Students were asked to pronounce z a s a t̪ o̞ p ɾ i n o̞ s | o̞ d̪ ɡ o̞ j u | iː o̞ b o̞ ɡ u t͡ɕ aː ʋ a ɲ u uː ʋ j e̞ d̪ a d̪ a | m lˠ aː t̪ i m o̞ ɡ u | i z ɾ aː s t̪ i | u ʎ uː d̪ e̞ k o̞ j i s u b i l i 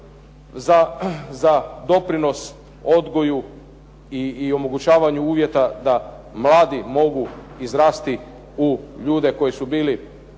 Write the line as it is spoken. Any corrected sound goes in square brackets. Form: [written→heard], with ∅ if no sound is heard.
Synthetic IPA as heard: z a [s→z] a [t̪→d̪] o̞ p ɾ i n o̞ s | o̞ d̪ ɡ o̞ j u | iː o̞ [b→m] o̞ ɡ u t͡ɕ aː ʋ a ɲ u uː ʋ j e̞ [d̪→t̪] a d̪ a | m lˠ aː [t̪→d̪] i m o̞ ɡ u | i z ɾ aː s t̪ i | u ʎ uː d̪ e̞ k o̞ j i s u b [i→iː] l i